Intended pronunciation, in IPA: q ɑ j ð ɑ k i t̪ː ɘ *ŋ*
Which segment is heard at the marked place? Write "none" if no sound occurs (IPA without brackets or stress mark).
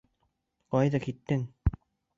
ŋ